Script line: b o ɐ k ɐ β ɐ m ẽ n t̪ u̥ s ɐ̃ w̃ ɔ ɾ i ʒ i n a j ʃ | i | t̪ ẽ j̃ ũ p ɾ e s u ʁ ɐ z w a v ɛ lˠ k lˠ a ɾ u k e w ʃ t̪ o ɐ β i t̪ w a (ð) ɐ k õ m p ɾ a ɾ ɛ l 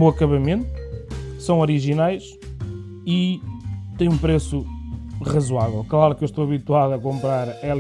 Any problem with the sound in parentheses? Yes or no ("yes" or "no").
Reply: no